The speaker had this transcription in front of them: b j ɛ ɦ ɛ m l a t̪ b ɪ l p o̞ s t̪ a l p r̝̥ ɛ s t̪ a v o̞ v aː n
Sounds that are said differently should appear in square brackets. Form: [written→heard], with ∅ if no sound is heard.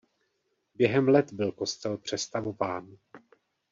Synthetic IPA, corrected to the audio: b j ɛ ɦ ɛ m l [a→ɛ] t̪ b ɪ l [p→k] o̞ s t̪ [a→ɛ] l p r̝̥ ɛ s t̪ a v o̞ v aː n